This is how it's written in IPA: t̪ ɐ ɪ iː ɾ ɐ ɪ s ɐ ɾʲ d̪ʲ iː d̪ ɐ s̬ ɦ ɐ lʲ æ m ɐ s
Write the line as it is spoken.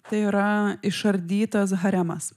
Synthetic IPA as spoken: t̪ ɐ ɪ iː ɾ ɐ ɪ ʃ ɐ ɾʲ d̪ʲ iː t̪ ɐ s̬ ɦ ɐ ɾʲ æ m ɐ s